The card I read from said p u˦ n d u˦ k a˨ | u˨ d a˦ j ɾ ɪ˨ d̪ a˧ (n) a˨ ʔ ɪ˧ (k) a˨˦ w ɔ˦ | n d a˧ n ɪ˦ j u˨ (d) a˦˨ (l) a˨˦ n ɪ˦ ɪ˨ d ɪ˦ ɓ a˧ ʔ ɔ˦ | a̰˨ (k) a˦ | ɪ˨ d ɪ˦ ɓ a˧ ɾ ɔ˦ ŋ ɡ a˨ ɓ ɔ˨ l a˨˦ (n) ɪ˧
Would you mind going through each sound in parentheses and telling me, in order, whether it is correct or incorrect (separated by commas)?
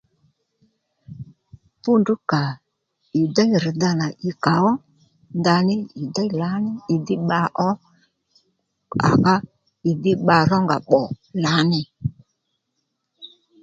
correct, correct, correct, correct, correct, correct